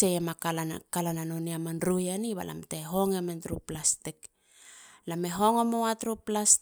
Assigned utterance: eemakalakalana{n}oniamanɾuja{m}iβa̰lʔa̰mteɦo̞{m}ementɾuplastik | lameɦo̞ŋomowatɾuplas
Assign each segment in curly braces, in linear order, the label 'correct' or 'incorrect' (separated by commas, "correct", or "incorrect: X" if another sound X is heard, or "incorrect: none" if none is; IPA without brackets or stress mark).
correct, incorrect: n, incorrect: ŋ